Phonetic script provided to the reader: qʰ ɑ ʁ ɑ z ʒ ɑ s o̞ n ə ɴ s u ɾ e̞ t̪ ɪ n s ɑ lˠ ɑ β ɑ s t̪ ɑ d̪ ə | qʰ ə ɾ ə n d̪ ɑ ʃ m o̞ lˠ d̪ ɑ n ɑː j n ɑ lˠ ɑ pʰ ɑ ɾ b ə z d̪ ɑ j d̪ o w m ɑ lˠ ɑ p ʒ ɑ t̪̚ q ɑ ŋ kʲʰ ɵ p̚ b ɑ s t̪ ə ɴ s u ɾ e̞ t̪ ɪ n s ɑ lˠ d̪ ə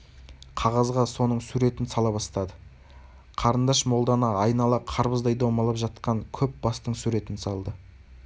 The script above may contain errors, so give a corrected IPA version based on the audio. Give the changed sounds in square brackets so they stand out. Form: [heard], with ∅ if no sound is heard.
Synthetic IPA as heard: qʰ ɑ ʁ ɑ z [ʁ] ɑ s o̞ n ə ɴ s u ɾ e̞ t̪ ɪ n s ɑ lˠ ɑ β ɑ s t̪ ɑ d̪ ə | qʰ [ɑ] ɾ ə n d̪ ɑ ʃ m o̞ lˠ d̪ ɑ n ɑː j n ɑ lˠ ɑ [qʰ] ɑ ɾ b ə z d̪ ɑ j d̪ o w m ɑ lˠ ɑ p ʒ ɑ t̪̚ q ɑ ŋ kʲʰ ɵ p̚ b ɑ s t̪ ə ɴ s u ɾ e̞ t̪ ɪ n s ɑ lˠ d̪ ə